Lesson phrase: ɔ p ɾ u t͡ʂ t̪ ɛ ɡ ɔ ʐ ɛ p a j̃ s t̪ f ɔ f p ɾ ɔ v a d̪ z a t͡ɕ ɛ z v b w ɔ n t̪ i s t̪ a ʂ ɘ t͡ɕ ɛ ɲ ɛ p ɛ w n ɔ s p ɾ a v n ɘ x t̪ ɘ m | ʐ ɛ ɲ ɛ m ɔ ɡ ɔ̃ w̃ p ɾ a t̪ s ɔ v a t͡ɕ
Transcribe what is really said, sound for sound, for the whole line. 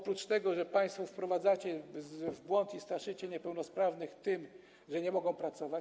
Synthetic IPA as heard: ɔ p ɾ u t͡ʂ t̪ ɛ ɡ ɔ ʐ ɛ p a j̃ s t̪ f ɔ f p ɾ ɔ v a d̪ z a t͡ɕ ɛ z v b w ɔ n t̪ i s t̪ a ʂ ɘ t͡ɕ ɛ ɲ ɛ p ɛ w n ɔ s p ɾ a v n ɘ x t̪ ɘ m | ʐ ɛ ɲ ɛ m ɔ ɡ ɔ̃ w̃ p ɾ a t̪ s ɔ v a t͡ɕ